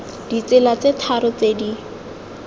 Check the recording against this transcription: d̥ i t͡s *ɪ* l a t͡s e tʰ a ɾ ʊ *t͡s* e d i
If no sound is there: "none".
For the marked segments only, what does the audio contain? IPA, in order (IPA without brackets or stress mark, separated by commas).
ɪ, t͡s